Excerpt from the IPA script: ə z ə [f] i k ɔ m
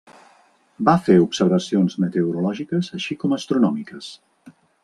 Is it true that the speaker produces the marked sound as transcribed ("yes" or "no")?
no